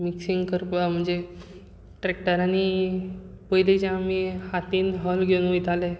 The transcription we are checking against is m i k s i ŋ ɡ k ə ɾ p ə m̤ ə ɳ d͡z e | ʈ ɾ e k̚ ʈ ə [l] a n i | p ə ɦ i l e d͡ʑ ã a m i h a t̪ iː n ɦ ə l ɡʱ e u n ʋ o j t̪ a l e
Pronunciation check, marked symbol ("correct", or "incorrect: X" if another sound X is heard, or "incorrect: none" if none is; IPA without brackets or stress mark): incorrect: ɾ